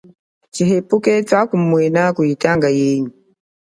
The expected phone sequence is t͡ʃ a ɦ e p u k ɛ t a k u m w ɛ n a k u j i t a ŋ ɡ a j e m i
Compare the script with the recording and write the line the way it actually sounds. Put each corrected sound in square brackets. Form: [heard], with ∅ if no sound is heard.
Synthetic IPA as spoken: t͡ʃ [i] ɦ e p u k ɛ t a k u m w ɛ n a k u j i t a ŋ ɡ a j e [ɲ] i